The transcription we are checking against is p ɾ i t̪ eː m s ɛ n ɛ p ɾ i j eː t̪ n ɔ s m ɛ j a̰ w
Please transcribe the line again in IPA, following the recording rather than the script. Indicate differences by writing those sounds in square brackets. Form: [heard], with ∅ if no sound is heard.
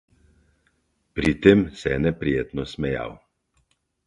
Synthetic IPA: p ɾ i t̪ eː m s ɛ n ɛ p ɾ i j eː t̪ n ɔ s m ɛ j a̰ w